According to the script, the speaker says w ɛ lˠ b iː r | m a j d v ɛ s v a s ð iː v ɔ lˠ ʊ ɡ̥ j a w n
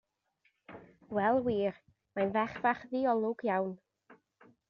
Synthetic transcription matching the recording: w ɛ lˠ w iː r | m a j n v ɛ χ v a χ ð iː ɔ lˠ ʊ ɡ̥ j a w n